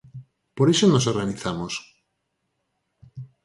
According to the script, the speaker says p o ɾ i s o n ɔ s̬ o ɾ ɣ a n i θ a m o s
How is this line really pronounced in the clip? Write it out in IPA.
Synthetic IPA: p o ɾ e s o n o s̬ o ɾ ɣ a n i θ a m o s